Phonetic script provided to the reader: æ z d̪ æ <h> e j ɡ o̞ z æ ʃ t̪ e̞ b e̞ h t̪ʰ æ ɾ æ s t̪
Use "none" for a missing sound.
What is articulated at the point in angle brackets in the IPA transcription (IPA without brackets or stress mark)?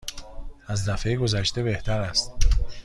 f